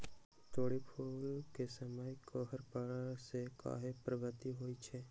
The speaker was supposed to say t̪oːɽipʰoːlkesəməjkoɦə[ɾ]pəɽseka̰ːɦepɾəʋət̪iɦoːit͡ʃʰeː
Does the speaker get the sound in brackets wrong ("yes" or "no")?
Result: no